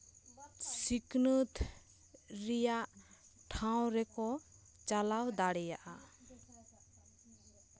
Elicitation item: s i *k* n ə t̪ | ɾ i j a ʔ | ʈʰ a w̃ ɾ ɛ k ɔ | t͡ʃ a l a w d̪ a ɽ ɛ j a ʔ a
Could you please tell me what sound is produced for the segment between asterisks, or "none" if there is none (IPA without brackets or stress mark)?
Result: k